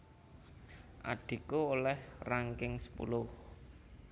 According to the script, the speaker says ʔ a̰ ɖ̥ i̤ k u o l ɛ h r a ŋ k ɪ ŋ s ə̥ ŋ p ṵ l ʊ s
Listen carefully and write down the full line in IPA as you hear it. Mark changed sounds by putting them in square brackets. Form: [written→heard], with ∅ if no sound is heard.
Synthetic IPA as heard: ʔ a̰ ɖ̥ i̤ k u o l ɛ h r a ŋ k ɪ ŋ s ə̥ [ŋ→∅] p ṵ l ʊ [s→h]